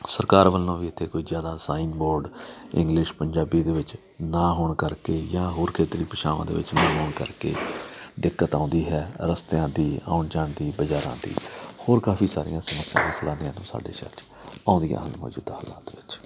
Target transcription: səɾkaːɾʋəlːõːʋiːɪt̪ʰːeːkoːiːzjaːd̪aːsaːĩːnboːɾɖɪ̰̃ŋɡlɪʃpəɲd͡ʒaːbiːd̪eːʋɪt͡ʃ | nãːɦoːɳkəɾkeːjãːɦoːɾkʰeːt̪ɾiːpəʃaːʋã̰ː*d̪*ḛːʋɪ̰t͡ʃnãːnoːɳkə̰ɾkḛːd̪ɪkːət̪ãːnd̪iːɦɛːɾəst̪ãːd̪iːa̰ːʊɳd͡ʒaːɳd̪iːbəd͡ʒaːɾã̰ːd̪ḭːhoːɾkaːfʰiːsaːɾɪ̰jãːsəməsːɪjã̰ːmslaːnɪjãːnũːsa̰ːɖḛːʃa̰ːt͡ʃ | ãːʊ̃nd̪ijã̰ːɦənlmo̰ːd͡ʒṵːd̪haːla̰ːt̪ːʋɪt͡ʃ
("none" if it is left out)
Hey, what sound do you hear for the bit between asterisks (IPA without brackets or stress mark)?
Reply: d̪